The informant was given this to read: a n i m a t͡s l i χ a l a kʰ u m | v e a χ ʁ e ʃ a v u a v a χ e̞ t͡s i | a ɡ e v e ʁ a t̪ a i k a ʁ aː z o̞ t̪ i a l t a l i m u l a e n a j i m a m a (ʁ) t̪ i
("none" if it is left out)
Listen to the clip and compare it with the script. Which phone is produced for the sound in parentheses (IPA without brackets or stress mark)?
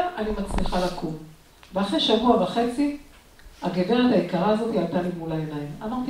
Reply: ʁ